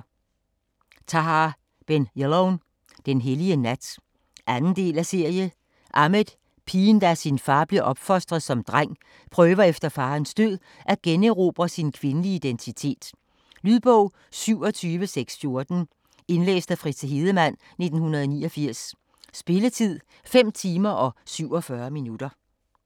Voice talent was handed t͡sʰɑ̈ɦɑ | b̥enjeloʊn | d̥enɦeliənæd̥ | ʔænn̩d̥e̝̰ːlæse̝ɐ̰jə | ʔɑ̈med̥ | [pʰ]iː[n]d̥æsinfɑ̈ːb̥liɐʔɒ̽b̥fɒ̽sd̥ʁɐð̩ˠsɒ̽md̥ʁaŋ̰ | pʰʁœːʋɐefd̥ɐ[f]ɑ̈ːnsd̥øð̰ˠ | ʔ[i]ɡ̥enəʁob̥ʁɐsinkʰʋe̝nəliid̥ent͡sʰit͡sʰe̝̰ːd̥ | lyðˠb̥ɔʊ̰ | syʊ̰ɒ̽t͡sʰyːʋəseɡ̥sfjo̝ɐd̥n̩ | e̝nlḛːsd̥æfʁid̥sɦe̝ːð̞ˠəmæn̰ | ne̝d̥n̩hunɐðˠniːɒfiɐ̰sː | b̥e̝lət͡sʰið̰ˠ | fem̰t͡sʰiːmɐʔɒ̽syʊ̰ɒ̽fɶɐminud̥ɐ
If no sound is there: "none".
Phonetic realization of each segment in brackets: pʰ, n, f, æ

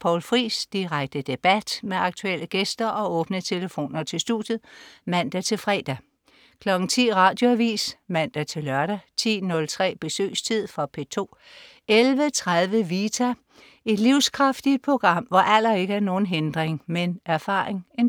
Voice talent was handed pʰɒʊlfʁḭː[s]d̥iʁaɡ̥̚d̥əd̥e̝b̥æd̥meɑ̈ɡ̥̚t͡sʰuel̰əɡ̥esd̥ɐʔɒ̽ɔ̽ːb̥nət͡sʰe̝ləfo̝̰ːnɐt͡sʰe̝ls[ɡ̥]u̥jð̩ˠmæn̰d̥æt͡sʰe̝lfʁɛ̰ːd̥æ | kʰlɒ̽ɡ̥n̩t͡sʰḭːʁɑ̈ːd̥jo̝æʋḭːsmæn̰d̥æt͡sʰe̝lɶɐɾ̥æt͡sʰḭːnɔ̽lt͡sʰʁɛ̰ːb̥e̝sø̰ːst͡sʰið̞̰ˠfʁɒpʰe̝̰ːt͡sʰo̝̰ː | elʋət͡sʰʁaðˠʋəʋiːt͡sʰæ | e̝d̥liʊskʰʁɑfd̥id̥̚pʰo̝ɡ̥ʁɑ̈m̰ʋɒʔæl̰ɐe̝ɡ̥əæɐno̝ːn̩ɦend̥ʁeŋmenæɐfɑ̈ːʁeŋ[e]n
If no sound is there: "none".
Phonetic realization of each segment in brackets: s, d̥, e

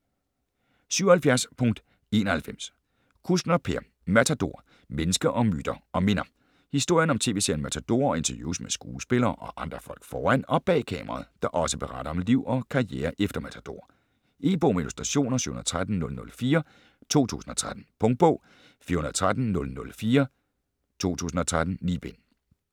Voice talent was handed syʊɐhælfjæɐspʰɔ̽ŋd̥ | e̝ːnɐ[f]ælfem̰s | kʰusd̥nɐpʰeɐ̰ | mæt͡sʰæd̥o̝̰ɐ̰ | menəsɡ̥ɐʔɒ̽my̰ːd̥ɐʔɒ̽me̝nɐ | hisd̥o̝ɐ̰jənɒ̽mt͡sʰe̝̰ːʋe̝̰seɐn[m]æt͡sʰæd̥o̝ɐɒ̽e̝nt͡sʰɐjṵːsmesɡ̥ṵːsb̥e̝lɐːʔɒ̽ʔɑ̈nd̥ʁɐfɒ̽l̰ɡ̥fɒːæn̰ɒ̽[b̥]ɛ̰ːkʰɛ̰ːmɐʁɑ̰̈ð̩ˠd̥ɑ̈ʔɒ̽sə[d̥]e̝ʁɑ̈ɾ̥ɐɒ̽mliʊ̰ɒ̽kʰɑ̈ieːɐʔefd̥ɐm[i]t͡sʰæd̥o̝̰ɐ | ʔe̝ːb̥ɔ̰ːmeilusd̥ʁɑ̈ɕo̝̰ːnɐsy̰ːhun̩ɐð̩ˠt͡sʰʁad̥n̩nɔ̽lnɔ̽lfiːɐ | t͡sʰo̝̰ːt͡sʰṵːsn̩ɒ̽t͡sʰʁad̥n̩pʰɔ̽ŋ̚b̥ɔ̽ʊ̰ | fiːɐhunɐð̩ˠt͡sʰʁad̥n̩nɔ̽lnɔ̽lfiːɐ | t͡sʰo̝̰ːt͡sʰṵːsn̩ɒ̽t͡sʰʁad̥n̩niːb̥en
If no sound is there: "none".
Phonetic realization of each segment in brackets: h, m, b̥, b̥, æ

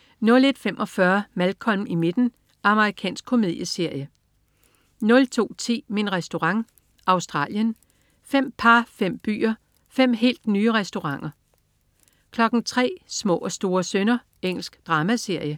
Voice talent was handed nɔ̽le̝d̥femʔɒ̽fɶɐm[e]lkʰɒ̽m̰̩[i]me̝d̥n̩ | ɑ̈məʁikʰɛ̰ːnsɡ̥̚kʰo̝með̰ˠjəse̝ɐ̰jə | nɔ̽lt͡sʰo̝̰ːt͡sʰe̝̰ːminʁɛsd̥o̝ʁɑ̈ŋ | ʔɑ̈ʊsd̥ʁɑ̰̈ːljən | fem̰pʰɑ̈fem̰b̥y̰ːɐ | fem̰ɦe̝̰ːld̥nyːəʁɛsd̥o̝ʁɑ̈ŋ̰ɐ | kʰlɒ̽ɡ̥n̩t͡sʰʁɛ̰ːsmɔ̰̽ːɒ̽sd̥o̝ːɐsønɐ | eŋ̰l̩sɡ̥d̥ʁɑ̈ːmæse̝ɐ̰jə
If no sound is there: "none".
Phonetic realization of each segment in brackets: æ, i

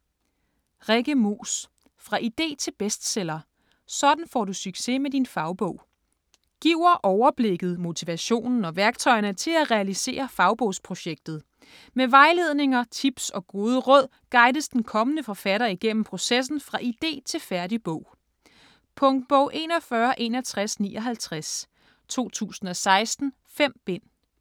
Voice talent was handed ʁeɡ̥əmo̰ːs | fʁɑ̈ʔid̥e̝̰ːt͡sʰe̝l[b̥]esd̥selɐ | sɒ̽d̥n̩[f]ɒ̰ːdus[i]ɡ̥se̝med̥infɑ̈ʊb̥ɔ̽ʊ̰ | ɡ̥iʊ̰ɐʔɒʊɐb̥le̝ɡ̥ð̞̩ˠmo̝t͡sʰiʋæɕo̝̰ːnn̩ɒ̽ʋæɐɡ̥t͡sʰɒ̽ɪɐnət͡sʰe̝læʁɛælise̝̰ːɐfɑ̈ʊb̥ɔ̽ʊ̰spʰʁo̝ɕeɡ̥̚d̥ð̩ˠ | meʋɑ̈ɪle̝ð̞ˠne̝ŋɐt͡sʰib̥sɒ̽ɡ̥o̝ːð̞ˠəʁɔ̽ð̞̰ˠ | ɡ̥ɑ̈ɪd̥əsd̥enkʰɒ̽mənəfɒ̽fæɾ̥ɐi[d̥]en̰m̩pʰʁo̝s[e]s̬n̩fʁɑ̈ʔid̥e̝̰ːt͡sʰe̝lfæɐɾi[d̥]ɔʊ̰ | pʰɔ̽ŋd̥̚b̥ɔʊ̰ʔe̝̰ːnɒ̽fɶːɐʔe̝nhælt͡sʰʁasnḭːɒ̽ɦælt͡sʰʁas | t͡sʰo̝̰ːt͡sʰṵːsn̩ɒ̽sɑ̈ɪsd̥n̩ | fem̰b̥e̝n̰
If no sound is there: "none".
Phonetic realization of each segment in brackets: b̥, f, y, ɡ̥, e, b̥

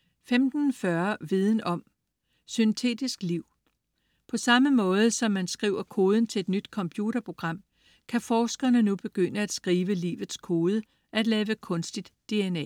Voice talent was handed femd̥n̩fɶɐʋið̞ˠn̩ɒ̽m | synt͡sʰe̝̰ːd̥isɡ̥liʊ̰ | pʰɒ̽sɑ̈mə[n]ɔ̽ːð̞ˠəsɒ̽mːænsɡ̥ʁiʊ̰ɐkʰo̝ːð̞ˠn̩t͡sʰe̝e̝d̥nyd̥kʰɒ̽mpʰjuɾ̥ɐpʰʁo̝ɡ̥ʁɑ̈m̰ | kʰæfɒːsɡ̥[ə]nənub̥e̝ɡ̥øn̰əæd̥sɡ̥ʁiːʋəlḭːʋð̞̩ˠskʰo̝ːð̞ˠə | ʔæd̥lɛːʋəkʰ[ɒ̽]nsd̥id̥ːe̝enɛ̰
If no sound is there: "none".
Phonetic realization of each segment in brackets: m, ɐ, ɔ̽

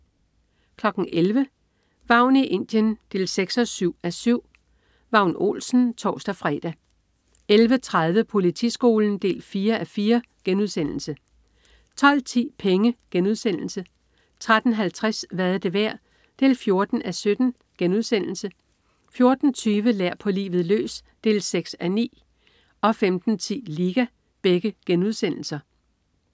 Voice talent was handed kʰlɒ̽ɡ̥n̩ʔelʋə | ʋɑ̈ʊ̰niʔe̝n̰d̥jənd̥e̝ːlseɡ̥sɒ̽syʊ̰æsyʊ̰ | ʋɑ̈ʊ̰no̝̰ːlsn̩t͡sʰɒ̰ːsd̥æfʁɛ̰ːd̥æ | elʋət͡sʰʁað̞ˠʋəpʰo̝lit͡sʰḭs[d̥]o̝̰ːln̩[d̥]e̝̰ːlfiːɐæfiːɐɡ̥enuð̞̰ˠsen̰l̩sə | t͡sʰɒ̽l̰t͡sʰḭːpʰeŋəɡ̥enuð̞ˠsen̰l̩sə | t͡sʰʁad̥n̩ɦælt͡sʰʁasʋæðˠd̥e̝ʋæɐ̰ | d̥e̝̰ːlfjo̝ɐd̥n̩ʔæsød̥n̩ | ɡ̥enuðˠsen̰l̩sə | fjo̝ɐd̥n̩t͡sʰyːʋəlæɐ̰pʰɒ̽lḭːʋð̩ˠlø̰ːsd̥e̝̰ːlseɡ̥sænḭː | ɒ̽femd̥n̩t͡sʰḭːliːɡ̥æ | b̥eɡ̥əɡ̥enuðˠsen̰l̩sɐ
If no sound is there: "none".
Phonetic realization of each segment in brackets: ɡ̥, d̥

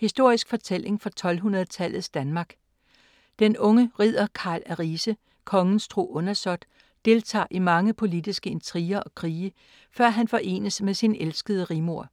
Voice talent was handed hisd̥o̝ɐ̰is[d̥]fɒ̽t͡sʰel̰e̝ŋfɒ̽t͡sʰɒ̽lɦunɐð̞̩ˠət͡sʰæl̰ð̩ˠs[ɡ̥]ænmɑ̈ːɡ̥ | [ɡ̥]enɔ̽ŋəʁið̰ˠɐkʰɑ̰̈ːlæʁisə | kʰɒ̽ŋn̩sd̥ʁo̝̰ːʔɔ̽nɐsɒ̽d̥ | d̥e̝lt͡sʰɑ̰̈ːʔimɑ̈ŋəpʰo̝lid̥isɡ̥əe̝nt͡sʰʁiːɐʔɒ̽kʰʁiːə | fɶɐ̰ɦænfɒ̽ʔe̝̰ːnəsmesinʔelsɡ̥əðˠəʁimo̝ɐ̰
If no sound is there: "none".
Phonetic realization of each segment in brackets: ɡ̥, d̥, d̥

